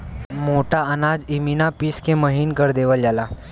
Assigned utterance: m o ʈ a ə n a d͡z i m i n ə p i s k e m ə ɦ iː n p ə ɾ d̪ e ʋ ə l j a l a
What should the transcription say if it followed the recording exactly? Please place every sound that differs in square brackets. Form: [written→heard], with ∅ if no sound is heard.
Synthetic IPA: m o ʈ a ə n a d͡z i m i n [ə→a] p i s k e m ə ɦ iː n [p→k] ə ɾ d̪ e ʋ ə l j a l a